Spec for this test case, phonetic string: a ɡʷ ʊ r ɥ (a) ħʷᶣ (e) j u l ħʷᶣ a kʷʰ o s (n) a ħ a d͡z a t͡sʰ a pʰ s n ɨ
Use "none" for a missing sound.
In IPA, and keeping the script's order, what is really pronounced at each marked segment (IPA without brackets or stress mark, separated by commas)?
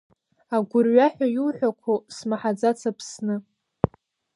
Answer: a, a, m